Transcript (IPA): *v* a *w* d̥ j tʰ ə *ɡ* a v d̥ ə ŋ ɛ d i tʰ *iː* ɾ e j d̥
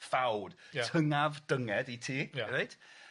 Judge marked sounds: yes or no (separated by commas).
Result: no, yes, no, yes